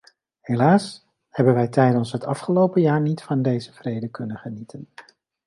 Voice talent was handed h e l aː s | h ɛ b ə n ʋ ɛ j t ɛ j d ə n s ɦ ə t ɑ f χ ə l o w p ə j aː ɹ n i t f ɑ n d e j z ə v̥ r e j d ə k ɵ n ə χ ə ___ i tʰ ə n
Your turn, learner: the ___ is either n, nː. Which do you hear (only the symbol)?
n